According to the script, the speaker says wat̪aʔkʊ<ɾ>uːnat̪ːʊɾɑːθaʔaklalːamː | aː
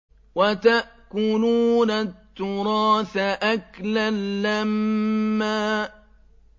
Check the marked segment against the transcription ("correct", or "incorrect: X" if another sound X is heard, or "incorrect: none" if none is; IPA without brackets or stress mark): incorrect: l